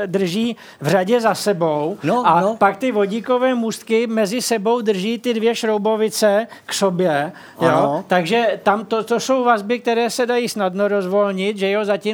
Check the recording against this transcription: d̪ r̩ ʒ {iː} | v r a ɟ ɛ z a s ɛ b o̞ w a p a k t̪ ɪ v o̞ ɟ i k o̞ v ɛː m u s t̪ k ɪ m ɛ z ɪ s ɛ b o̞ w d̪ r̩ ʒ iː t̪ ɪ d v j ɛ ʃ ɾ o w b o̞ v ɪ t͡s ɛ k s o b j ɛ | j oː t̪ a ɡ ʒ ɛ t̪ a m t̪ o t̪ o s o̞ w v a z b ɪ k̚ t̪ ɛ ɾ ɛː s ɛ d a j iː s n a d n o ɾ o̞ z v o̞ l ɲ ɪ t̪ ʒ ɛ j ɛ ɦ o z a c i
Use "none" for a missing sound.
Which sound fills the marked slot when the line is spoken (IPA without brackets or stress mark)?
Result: iː